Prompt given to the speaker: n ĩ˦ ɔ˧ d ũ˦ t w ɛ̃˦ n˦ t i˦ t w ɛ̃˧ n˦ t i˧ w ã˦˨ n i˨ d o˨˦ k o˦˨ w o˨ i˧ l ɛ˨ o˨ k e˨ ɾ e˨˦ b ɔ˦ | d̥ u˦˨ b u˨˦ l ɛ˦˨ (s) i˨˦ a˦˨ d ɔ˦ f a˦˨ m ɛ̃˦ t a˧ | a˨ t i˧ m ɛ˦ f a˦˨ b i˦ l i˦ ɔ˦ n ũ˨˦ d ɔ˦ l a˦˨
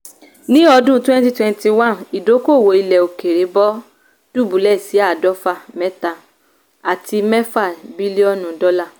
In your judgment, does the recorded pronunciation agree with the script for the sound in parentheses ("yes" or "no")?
yes